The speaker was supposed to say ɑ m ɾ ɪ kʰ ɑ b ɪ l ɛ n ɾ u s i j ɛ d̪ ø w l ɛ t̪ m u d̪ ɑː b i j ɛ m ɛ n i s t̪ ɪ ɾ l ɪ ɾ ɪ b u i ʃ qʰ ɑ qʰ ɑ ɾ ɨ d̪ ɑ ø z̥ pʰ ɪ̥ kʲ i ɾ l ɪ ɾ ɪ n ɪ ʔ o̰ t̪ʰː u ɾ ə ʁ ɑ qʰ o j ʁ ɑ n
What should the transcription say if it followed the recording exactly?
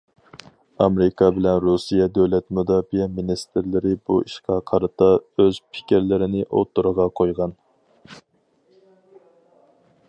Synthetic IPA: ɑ m ɾ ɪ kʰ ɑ b ɪ l ɛ n ɾ u s i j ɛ d̪ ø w l ɛ t̪ m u d̪ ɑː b i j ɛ m i n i s t̪ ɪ ɾ l ɪ ɾ ɪ b u i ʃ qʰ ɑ qʰ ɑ ɾ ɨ t̪ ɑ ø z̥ pʰ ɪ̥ kʲ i ɾ l ɪ ɾ ɪ n ɪ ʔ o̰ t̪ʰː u ɾ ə ʁ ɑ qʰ o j ʁ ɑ n